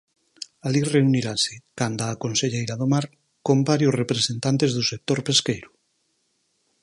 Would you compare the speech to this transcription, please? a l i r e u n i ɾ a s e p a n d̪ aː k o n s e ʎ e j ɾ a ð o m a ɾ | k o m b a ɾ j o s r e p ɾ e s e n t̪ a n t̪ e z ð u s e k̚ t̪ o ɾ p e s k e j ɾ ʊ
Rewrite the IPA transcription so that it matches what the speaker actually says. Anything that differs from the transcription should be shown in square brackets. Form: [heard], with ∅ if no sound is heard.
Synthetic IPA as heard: a l i r e u n i ɾ a s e [k] a n d̪ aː k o n s e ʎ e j ɾ a ð o m a ɾ | k o m b a ɾ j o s r e p ɾ e s e n t̪ a n t̪ e z ð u s e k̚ t̪ o ɾ p e s k e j ɾ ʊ